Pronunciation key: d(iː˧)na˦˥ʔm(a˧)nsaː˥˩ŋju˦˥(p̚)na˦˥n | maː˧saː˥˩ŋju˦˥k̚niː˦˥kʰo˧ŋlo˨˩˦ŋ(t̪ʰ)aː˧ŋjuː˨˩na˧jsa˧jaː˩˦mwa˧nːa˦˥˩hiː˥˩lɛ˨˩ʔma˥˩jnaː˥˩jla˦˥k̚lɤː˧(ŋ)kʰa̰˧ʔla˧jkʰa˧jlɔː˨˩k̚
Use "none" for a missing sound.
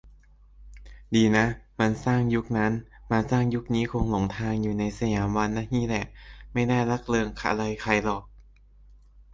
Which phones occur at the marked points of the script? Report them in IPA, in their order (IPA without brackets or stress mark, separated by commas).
iː˧, a˧, k̚, t̪ʰ, ŋ